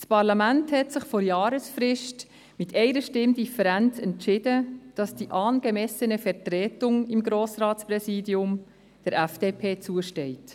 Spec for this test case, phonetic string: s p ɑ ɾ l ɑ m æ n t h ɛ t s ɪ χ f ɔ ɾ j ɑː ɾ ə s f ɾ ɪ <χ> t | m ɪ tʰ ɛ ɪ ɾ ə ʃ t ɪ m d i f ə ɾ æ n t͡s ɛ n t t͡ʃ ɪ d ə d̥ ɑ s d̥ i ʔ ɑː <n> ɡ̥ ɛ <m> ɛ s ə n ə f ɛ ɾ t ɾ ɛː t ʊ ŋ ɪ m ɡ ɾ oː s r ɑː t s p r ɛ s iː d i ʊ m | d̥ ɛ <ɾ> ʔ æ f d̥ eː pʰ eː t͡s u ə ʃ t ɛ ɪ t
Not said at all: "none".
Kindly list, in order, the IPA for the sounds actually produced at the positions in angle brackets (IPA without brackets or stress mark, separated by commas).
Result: ʃ, n, m, ɾ